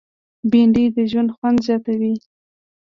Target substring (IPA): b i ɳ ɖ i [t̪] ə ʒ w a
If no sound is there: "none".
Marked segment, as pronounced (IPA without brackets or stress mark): d̪